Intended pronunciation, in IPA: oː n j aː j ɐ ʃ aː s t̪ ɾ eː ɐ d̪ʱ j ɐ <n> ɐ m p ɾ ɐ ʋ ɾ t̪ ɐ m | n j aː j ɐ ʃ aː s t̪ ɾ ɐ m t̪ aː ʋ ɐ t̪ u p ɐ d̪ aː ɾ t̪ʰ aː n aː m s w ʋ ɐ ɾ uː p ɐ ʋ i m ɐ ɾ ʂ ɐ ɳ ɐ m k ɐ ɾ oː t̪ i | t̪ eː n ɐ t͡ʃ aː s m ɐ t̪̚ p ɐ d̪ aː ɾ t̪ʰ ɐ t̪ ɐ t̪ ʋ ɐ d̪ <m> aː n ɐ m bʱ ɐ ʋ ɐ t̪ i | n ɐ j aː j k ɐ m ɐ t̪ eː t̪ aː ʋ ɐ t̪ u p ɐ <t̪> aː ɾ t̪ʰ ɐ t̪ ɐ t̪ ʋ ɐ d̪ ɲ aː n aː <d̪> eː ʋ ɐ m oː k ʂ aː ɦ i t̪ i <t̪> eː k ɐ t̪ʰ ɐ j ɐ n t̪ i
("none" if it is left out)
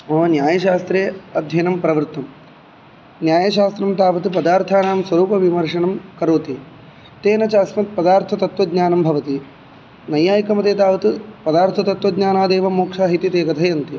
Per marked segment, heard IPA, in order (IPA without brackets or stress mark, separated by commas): n, ɲ, d̪, d̪, t̪